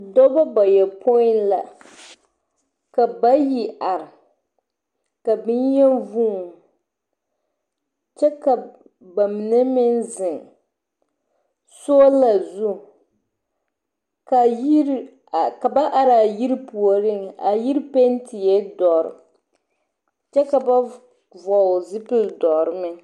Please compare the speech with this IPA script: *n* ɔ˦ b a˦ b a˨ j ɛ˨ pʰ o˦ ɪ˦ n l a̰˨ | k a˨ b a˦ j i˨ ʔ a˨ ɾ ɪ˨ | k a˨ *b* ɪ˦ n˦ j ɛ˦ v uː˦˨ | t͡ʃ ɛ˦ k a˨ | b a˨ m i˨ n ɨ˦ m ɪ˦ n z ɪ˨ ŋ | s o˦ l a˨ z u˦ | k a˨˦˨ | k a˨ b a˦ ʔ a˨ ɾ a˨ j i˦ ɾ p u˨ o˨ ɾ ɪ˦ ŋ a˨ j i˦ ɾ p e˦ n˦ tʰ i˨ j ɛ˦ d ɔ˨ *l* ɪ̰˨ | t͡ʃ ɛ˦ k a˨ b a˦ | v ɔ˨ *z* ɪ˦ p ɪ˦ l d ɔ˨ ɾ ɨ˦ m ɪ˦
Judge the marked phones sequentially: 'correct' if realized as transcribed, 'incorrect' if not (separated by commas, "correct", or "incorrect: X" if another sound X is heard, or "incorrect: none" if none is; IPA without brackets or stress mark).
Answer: incorrect: d, correct, incorrect: ɾ, correct